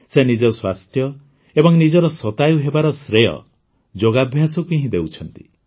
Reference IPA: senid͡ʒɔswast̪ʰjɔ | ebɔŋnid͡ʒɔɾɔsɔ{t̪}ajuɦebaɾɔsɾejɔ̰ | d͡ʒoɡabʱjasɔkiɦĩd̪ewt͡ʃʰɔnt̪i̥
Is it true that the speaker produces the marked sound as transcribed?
yes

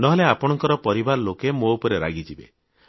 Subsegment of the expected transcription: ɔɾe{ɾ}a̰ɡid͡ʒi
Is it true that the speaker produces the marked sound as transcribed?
yes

